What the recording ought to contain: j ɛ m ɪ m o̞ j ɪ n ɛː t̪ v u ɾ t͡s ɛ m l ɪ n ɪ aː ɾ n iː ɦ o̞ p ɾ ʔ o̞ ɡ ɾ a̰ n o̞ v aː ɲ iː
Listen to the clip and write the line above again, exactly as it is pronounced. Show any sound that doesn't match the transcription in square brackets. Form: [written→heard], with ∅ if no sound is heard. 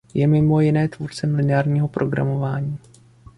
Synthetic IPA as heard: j ɛ m ɪ m o̞ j ɪ n ɛː t̪ v u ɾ t͡s ɛ m l ɪ n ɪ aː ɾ [n→ɲ] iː ɦ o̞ p ɾ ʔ o̞ ɡ ɾ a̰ [n→m] o̞ v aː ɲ iː